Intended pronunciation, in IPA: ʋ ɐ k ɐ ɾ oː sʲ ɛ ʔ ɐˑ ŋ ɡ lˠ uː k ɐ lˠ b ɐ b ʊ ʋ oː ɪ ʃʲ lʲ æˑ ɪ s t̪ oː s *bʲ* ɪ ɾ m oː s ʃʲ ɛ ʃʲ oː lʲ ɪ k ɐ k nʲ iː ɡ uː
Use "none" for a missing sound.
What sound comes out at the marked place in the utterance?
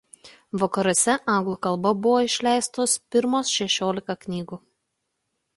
pʲ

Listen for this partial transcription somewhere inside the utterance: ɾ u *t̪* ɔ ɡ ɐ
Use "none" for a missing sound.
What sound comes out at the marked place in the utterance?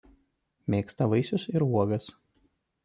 none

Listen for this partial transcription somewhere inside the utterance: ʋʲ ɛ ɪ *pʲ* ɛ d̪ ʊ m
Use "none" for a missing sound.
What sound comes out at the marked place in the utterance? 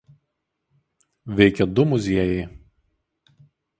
kʲ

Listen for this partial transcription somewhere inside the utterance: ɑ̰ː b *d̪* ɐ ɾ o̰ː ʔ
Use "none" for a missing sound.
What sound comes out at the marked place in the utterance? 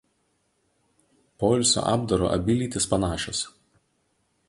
d̪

